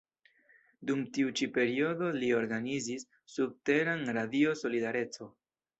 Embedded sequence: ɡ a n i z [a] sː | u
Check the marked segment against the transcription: incorrect: i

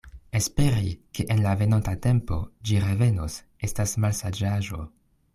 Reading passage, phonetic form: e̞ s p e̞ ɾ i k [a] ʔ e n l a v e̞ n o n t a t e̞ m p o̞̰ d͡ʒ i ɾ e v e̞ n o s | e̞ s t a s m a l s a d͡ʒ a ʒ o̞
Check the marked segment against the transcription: incorrect: e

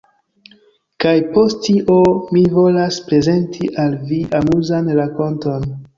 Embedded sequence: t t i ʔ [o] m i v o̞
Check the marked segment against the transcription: correct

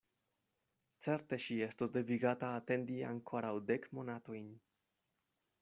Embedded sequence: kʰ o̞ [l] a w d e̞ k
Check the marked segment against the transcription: incorrect: ɾ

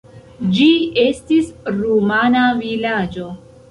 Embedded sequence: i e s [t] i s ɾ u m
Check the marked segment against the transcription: correct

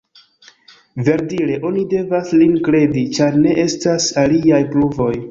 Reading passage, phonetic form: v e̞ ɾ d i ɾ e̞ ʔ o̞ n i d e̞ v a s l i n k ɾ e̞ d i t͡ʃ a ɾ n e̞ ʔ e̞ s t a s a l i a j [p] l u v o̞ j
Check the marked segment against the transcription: correct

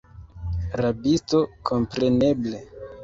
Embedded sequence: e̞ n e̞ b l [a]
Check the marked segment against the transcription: incorrect: e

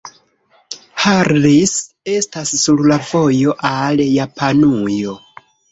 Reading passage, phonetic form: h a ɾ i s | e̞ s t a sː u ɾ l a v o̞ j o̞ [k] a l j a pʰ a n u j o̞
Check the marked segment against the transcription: incorrect: ʔ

